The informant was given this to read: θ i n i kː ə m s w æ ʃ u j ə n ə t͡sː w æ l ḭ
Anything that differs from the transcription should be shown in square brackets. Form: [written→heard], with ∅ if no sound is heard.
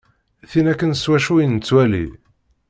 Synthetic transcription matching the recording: θ i n [i→æ] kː ə [m→n] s w æ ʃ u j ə n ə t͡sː w æ l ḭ